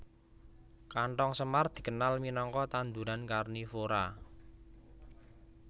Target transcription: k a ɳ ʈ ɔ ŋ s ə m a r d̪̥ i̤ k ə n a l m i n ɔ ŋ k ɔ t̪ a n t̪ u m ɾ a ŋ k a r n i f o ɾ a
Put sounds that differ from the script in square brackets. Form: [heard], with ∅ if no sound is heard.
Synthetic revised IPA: k a ɳ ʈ ɔ ŋ s ə m a r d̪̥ i̤ k ə n a l m i n ɔ ŋ k ɔ t̪ a n [d̪] u [∅] ɾ a [n] k a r n i f o ɾ a